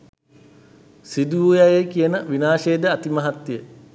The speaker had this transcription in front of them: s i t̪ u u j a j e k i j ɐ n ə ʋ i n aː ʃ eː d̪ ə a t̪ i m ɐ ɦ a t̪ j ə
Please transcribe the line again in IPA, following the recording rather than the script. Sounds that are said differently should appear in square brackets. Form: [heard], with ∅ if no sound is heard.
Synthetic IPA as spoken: s i [d̪] u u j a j e k i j [ə] n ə ʋ i n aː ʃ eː d̪ ə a t̪ i m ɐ ɦ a t̪ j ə